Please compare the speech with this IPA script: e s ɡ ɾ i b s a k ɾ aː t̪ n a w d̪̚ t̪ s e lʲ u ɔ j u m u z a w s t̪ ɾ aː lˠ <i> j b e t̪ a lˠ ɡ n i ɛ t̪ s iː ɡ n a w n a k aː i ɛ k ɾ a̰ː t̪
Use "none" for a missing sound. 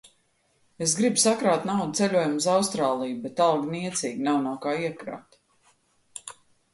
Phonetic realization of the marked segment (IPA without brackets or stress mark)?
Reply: i